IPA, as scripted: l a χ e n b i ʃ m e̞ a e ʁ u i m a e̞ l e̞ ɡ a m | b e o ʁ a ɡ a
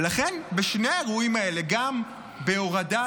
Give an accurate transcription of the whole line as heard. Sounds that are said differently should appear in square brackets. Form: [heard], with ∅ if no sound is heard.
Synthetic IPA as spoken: l a χ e n b [e] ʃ [n] e̞ a e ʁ u i m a e̞ l e̞ ɡ a m | b e o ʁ a [d] a